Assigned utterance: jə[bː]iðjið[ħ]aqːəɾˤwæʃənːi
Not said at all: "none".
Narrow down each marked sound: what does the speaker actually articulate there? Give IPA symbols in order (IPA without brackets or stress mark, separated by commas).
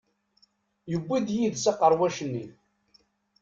bː, s